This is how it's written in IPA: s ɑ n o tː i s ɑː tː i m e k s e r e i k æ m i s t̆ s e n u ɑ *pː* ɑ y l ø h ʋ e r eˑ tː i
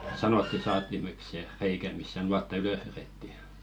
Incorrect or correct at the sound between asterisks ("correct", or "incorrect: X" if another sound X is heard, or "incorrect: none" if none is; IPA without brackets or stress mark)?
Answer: incorrect: tː